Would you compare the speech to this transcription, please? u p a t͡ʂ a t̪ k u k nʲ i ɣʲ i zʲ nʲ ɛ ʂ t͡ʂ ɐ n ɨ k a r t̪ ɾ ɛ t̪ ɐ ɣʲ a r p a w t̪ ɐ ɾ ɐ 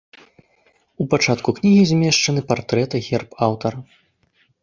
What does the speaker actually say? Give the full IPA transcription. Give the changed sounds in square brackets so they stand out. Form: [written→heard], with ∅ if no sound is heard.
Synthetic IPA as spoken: u p a t͡ʂ a t̪ k u k nʲ i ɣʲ i zʲ [nʲ→mʲ] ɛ ʂ t͡ʂ ɐ n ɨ [k→p] a r t̪ ɾ ɛ t̪ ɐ ɣʲ [a→ɛ] r p a w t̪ ɐ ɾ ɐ

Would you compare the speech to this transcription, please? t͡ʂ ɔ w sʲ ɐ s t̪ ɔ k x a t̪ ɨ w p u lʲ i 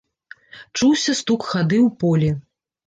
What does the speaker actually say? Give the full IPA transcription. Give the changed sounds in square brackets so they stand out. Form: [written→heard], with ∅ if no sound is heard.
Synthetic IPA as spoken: t͡ʂ [ɔ→u] w sʲ ɐ s t̪ [ɔ→u] k x a [t̪→d̪] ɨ w p [u→ɔ] lʲ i

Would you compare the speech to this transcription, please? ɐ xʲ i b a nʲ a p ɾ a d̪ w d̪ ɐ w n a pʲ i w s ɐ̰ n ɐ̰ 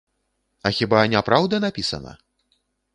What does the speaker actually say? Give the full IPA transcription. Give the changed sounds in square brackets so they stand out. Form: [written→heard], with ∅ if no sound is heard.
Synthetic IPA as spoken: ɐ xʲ i b a nʲ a p ɾ a [d̪→∅] w d̪ ɐ [w→∅] n a pʲ i [w→∅] s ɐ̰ n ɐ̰

